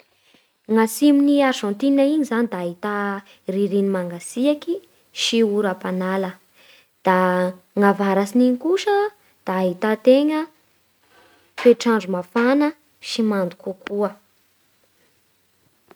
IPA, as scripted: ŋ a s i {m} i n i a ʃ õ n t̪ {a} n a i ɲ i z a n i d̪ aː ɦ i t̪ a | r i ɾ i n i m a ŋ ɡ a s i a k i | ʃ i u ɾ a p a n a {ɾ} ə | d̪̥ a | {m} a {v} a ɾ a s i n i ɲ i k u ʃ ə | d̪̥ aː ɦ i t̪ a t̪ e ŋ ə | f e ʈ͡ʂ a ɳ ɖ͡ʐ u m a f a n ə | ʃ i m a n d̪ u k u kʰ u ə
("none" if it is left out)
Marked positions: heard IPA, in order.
m, i, l, ŋ, v

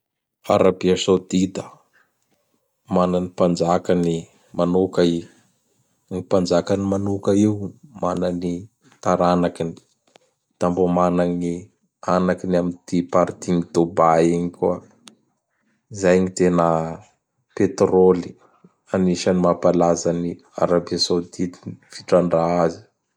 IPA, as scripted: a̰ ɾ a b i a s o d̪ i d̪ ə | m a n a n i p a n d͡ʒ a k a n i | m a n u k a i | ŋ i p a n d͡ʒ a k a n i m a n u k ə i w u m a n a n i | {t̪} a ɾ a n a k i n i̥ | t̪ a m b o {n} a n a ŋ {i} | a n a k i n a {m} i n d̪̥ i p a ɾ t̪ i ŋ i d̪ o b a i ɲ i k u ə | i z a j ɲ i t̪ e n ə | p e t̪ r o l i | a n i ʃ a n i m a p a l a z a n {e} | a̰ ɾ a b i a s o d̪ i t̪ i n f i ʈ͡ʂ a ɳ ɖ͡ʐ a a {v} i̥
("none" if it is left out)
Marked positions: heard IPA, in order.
t̪, m, i, m, i, z

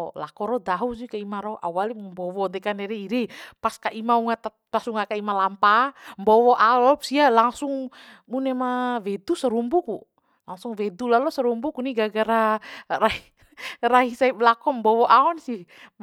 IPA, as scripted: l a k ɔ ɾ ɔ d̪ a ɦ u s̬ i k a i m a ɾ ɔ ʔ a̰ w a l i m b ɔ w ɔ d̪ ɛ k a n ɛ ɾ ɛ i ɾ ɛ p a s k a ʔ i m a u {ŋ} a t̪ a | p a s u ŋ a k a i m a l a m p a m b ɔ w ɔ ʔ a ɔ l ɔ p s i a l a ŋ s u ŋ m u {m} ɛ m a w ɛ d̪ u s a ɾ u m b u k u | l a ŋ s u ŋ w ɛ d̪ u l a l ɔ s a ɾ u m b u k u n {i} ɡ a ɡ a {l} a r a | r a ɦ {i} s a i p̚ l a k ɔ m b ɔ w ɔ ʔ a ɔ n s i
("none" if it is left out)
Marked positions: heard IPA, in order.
ŋ, n, i, ɾ, i

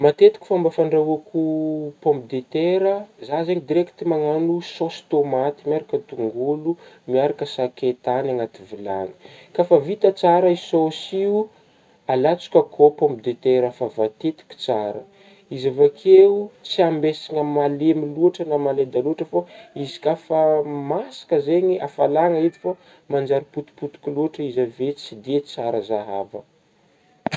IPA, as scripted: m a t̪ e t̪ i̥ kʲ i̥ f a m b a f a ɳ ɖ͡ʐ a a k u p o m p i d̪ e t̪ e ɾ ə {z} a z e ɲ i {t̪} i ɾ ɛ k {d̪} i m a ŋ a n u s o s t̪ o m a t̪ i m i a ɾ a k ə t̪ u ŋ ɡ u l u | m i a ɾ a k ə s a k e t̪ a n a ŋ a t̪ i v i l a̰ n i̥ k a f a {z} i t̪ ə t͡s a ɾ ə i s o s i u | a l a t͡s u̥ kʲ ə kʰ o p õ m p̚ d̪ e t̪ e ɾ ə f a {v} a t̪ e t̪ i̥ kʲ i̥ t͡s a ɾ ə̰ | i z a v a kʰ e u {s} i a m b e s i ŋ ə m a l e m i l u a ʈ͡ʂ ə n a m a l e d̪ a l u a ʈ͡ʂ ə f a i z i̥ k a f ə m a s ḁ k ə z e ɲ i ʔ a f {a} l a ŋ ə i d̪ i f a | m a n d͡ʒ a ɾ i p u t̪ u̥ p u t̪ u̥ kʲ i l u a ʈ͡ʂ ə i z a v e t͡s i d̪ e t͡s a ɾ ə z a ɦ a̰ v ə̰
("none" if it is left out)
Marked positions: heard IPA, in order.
z, d̪, t̪, v, v, t͡s, a

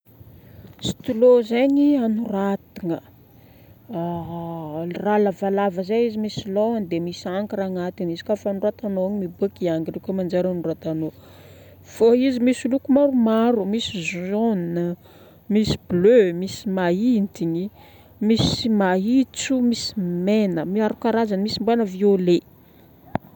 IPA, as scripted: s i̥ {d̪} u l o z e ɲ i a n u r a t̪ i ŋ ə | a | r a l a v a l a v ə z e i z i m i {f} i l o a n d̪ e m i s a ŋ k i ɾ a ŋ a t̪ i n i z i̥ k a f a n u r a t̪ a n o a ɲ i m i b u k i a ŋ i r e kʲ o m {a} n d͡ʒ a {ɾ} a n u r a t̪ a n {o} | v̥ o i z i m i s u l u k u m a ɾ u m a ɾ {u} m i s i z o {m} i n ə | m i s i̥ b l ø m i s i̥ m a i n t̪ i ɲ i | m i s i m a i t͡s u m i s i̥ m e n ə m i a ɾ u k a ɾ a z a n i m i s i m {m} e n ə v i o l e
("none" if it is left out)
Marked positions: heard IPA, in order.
t̪, s, a, ɾ, o, u, n, b

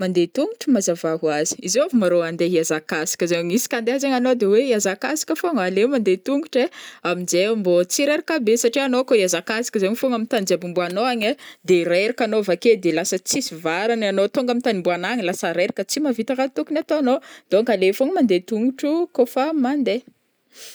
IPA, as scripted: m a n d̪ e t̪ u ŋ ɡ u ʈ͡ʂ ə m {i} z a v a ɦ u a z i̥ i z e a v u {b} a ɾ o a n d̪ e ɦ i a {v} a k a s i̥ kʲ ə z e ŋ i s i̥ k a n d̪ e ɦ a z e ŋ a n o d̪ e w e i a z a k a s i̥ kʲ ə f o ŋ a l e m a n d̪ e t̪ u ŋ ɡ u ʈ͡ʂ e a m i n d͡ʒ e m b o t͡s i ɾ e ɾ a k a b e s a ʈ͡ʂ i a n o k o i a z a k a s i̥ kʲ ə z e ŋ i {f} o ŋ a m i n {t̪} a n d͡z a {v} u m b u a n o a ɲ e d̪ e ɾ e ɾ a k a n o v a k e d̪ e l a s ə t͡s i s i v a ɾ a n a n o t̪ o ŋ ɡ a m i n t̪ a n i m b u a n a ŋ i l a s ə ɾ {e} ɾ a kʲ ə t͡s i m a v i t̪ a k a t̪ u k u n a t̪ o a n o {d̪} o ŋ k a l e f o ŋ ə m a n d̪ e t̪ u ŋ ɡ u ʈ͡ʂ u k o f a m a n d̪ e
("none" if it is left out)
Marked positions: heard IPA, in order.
a, m, z, f, t̪, b, e, d̪

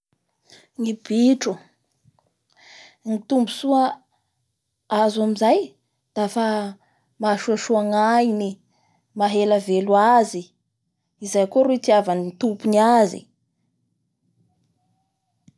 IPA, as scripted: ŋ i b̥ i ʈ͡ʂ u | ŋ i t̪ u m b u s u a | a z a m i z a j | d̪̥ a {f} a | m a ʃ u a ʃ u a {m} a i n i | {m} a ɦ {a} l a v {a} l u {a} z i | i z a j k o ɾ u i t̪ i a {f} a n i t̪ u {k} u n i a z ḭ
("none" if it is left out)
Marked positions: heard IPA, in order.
f, ŋ, m, e, e, a, v, p

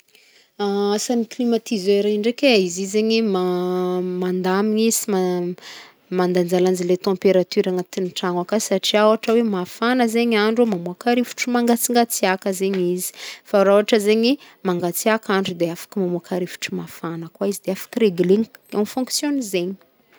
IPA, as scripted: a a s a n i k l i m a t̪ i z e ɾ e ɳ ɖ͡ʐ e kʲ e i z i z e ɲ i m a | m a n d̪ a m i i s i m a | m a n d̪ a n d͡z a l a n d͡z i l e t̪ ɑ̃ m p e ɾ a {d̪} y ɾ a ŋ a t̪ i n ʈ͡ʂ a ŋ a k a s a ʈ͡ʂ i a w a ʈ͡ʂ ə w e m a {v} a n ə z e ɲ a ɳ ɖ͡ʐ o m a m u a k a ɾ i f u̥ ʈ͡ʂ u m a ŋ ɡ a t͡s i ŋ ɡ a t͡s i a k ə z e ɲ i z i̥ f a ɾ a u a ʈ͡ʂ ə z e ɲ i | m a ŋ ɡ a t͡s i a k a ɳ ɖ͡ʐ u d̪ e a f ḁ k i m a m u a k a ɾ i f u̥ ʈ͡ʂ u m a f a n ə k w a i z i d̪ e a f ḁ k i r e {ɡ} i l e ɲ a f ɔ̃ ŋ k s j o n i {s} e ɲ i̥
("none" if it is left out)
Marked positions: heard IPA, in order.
t̪, f, ɡ, z

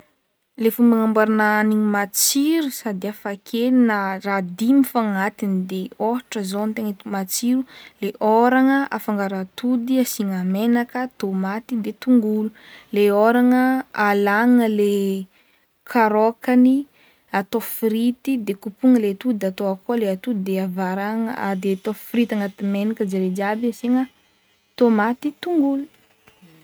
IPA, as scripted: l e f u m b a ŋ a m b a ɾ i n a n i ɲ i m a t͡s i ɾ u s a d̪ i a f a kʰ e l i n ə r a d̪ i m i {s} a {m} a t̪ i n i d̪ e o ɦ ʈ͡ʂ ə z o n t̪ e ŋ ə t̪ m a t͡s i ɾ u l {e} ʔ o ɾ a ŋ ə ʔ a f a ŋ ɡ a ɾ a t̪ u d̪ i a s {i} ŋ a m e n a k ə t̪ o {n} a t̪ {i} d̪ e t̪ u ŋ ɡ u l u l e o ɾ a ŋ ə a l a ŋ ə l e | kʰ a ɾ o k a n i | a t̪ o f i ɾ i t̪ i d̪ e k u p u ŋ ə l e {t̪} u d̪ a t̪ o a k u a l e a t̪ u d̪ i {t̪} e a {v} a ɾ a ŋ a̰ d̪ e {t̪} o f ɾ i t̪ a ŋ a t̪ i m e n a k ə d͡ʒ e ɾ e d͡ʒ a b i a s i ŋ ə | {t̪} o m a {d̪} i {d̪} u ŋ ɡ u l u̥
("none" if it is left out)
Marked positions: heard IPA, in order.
f, ŋ, e, i, m, i, t̪, d̪, v, t̪, t̪, t̪, t̪

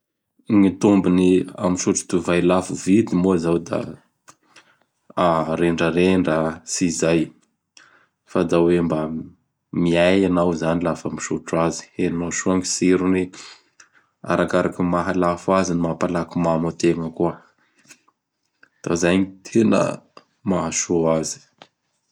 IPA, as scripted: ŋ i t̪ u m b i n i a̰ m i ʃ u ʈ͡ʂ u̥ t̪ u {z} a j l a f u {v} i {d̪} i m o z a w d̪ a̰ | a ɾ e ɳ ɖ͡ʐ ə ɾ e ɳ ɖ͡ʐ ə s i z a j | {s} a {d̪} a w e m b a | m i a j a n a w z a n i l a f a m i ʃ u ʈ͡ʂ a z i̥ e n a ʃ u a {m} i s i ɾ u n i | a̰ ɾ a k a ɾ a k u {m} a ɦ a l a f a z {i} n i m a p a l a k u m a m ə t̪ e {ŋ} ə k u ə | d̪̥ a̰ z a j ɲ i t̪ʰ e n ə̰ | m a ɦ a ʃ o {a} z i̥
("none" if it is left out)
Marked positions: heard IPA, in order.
v, v, d̪, f, d̪, ŋ, m, i, ŋ, a

